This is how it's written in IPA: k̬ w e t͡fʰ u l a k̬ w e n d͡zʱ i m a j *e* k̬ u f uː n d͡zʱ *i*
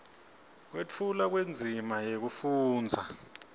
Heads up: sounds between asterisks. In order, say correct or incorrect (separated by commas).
correct, incorrect